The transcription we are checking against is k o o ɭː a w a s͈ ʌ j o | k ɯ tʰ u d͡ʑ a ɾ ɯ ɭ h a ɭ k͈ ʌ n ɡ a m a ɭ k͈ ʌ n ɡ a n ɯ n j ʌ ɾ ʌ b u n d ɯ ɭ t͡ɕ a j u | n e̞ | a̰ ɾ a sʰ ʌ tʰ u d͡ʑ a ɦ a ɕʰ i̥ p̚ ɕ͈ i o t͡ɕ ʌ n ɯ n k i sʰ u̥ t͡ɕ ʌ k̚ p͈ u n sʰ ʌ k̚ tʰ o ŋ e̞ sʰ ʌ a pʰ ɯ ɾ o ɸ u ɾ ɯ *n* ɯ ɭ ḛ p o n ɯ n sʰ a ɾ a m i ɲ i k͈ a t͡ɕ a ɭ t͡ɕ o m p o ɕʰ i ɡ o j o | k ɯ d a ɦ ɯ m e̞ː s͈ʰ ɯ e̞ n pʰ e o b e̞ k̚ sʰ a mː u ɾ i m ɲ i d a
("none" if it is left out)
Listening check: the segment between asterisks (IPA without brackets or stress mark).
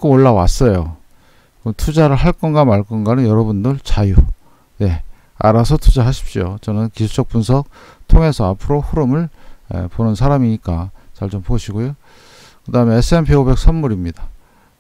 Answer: m